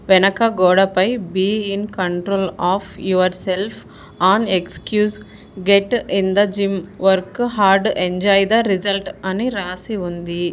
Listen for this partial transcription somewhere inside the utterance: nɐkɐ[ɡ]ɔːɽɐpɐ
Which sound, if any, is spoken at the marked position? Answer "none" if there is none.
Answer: ɡ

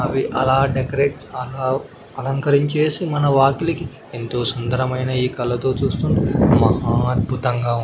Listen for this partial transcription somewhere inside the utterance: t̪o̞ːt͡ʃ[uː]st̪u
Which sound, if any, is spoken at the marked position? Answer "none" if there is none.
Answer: uː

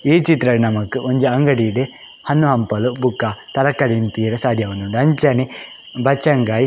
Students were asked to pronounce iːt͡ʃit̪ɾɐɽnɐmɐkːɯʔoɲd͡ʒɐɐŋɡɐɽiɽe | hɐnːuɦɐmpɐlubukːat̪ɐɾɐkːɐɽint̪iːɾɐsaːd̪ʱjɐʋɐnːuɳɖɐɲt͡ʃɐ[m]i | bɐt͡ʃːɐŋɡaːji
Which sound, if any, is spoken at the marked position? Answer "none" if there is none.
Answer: n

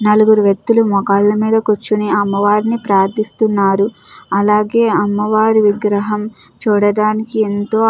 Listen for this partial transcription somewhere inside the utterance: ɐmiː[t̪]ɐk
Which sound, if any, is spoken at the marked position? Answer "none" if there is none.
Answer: d̪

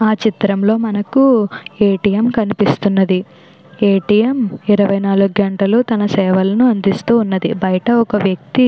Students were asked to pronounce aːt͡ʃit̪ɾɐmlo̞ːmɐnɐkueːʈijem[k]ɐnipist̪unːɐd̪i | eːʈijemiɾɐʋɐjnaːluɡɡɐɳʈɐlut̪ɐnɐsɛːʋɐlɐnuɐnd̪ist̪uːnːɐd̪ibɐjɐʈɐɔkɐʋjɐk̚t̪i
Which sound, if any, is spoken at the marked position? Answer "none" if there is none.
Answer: k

